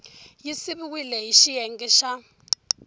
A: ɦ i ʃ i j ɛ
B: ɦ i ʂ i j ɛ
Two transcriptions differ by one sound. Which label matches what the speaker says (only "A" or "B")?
A